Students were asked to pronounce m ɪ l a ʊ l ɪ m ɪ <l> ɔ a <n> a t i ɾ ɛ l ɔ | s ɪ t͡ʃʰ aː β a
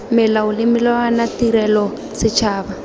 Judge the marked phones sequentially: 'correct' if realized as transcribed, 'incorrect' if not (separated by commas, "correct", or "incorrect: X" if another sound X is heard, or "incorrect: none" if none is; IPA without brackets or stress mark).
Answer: correct, correct